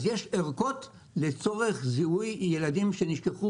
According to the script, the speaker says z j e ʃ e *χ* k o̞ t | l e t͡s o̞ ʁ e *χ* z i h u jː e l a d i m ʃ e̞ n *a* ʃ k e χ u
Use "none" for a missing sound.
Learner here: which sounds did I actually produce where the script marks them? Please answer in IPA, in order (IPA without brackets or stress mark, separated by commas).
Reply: ʁ, χ, i